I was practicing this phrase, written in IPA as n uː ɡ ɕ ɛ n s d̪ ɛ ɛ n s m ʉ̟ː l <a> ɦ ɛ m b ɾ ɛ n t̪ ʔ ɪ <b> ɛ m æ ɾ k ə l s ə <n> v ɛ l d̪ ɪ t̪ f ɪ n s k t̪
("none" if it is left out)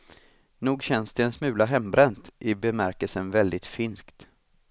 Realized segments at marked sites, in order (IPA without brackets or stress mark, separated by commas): a, b, n